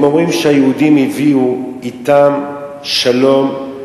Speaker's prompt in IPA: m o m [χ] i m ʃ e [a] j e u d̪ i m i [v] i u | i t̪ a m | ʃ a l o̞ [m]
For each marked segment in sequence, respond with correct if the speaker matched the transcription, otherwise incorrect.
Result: incorrect: ʁ, correct, correct, correct

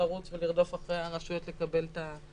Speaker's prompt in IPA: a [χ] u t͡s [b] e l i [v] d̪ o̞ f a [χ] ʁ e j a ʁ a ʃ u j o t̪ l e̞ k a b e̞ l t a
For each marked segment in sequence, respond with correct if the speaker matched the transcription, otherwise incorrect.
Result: incorrect: ʁ, incorrect: v, incorrect: ʁ, correct

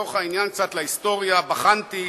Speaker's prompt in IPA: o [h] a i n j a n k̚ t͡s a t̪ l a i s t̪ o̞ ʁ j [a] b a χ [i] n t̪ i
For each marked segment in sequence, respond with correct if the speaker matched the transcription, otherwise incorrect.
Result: incorrect: χ, correct, incorrect: a

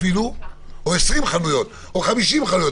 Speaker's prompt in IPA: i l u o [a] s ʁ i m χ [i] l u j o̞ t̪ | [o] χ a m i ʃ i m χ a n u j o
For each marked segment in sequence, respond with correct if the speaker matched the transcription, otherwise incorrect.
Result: incorrect: e, incorrect: a, correct

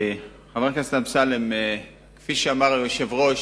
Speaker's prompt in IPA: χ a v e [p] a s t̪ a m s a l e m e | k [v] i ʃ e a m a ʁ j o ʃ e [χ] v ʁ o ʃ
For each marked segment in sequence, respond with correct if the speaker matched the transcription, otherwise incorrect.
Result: incorrect: k, incorrect: f, incorrect: none

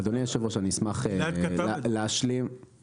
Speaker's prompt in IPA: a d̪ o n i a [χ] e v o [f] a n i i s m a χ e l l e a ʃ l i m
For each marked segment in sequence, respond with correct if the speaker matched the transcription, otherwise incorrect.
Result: incorrect: ʃ, incorrect: ʃ

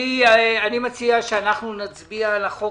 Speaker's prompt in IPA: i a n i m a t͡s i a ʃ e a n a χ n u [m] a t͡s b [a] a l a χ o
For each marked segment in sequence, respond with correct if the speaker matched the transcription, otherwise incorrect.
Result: incorrect: n, incorrect: i

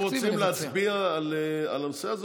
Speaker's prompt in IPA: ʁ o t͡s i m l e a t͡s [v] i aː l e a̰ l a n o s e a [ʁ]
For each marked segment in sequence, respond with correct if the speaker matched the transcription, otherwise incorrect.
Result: incorrect: b, incorrect: z

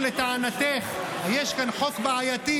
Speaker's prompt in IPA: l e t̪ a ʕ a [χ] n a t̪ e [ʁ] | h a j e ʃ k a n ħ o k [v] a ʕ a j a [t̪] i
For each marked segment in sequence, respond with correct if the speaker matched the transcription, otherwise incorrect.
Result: incorrect: none, incorrect: χ, incorrect: b, correct

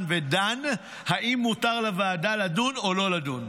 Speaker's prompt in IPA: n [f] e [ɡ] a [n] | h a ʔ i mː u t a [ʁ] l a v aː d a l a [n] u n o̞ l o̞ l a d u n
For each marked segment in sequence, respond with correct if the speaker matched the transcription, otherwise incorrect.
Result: incorrect: v, incorrect: d, correct, correct, incorrect: d

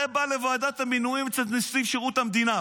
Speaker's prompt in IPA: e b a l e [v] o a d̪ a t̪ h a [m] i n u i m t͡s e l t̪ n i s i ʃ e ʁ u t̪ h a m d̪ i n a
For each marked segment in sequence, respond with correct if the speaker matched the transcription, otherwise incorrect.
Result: correct, correct

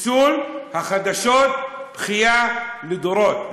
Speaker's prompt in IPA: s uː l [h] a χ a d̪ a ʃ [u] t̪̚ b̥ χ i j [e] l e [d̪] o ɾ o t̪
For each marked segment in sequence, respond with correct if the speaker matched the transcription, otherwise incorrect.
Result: correct, incorrect: o, incorrect: a, correct

